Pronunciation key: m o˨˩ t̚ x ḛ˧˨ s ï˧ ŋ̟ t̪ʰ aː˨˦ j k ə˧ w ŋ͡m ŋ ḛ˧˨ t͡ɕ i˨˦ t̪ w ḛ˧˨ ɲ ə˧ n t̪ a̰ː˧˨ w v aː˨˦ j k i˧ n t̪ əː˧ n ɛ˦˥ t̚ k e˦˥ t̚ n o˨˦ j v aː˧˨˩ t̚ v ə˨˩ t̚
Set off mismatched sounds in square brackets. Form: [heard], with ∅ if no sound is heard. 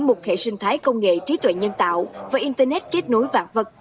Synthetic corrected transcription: m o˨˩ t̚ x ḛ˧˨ s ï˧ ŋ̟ t̪ʰ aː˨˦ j k ə˧ w ŋ͡m ŋ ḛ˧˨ t͡ɕ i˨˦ t̪ w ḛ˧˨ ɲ ə˧ n t̪ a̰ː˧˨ w v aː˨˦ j [ʔ] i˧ n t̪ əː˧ n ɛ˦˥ t̚ k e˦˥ t̚ n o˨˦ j v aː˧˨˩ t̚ v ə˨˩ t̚